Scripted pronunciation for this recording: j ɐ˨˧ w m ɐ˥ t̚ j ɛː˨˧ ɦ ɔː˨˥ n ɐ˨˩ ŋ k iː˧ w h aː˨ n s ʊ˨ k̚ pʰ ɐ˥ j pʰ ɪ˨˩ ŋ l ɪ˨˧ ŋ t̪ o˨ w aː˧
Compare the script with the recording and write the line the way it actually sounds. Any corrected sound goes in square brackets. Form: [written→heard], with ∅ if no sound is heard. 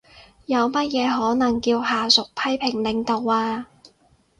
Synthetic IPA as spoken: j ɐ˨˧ w m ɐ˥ t̚ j ɛː˨˧ ɦ ɔː˨˥ n ɐ˨˩ ŋ k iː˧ w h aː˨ [n→∅] s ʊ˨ k̚ pʰ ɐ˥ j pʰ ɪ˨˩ ŋ l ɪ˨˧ ŋ t̪ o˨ w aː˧